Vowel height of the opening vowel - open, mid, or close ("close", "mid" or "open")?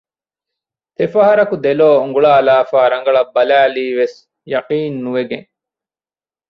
mid